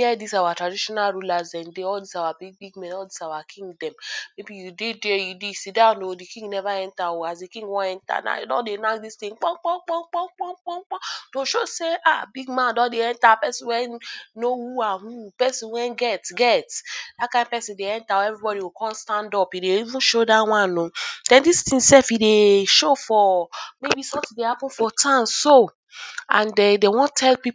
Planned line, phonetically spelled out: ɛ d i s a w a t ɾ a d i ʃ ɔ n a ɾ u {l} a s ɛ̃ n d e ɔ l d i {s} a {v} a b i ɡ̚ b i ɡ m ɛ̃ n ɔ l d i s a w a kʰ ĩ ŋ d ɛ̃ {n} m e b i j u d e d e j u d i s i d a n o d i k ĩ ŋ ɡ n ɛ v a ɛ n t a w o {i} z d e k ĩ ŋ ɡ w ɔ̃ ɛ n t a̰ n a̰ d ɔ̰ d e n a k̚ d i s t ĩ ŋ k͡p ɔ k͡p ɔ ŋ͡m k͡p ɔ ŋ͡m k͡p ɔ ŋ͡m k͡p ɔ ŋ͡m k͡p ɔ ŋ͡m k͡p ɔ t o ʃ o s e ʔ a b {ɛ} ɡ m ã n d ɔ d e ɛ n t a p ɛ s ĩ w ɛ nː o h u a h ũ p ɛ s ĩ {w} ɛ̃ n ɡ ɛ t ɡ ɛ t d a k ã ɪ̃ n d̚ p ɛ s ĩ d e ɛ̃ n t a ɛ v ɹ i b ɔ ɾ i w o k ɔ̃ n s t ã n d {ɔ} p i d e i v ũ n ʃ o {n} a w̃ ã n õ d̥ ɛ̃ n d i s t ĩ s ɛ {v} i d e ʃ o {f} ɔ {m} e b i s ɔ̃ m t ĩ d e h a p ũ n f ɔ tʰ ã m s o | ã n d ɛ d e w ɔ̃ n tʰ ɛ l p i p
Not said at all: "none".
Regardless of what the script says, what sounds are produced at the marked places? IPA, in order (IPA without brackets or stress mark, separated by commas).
l, s, w, m, a, i, w, ɔ, d, f, f, m